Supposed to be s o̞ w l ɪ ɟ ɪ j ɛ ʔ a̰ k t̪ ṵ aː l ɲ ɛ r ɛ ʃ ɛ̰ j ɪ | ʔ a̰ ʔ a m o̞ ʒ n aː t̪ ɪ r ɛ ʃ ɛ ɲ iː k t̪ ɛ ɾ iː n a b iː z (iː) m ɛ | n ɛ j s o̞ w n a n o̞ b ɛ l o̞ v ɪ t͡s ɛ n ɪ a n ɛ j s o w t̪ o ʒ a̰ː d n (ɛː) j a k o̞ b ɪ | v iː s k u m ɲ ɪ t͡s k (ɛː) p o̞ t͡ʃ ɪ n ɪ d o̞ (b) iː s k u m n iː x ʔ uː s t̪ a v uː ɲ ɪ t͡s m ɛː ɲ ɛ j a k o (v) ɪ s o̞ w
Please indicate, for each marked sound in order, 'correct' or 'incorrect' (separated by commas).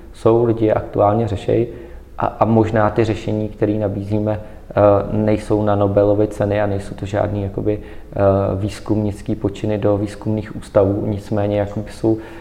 correct, incorrect, incorrect, incorrect, incorrect